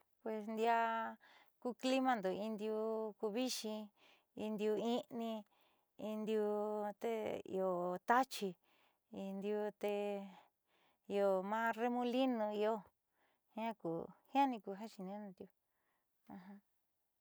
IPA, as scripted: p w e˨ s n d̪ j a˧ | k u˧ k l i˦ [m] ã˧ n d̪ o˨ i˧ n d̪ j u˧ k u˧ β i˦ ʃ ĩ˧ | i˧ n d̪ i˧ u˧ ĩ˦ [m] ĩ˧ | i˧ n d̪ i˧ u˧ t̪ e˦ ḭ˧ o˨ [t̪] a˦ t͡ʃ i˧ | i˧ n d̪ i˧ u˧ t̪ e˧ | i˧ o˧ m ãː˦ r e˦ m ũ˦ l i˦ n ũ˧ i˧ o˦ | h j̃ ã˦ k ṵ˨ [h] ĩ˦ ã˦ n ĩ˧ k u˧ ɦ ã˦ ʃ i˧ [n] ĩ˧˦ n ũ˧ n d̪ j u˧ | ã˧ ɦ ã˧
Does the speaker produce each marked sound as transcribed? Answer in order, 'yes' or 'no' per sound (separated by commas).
yes, no, yes, yes, yes